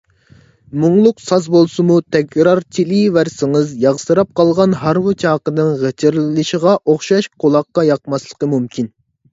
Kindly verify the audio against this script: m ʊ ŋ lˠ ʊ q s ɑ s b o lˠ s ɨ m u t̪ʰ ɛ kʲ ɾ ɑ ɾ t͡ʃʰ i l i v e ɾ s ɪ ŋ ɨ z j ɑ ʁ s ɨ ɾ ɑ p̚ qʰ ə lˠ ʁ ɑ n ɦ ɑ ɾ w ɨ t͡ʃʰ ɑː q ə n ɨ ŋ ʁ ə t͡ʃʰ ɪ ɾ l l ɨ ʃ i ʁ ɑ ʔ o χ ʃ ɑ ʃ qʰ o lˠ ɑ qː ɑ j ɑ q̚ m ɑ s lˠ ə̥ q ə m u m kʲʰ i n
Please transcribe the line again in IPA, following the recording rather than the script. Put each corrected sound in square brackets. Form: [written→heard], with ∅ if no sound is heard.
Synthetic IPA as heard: m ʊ ŋ lˠ ʊ q s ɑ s b o lˠ s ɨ m u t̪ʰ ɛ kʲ ɾ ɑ ɾ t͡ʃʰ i l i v [e→æ] ɾ s ɪ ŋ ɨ z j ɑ ʁ s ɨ ɾ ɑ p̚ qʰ [ə→ɑ] lˠ ʁ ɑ n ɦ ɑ ɾ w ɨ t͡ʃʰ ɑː q ə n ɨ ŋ ʁ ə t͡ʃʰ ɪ ɾ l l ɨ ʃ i ʁ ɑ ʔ o χ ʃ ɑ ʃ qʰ o lˠ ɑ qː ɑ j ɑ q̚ m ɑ s lˠ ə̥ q ə m u m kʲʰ i n

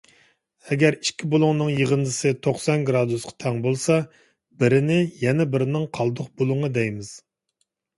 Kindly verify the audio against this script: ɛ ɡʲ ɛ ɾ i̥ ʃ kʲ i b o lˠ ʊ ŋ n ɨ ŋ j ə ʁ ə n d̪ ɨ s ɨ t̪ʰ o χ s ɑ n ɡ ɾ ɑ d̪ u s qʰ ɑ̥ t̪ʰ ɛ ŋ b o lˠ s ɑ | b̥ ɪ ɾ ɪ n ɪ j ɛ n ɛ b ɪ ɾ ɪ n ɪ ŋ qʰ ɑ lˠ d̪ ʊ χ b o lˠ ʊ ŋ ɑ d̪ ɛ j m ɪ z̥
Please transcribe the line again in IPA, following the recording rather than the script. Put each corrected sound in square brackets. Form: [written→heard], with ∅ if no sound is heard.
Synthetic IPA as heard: ɛ ɡʲ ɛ ɾ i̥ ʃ kʲ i b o lˠ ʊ ŋ n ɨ ŋ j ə ʁ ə n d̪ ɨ s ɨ t̪ʰ o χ s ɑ n ɡ ɾ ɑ d̪ u s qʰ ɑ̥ t̪ʰ ɛ ŋ b o lˠ s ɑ | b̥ ɪ ɾ ɪ n ɪ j ɛ n ɛ b ɪ ɾ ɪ n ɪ ŋ qʰ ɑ lˠ d̪ ʊ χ b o lˠ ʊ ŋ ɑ d̪ ɛ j m ɪ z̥

